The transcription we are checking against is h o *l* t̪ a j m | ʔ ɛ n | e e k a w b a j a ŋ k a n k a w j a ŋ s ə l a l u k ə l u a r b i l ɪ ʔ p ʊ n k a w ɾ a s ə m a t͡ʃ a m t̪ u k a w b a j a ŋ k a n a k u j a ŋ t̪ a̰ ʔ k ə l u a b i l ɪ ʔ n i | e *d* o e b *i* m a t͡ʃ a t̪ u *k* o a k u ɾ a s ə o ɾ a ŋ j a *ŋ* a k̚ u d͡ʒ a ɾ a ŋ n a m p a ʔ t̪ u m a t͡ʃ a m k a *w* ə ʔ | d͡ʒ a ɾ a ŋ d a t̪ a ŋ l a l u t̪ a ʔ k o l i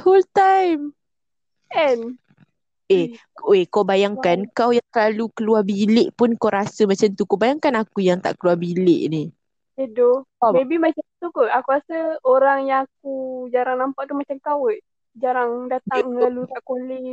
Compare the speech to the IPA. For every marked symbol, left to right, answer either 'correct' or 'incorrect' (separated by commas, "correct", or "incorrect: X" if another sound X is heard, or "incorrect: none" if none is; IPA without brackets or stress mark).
correct, correct, correct, correct, correct, correct